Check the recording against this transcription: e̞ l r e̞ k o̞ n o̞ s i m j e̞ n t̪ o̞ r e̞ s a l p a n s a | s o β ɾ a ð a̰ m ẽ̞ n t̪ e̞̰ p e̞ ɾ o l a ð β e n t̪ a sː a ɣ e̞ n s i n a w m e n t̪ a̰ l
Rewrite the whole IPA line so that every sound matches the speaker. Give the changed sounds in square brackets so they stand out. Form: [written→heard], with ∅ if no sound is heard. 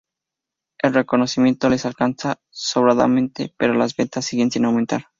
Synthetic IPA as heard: e̞ l r e̞ k o̞ n o̞ s i m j e̞ n t̪ o̞ [r→l] e̞ s a l [p→k] a n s a | s o β ɾ a ð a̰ m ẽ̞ n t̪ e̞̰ p e̞ ɾ o l a [ð→z] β e n t̪ a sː [a→i] ɣ e̞ n s i n a w m e n t̪ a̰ [l→ɾ]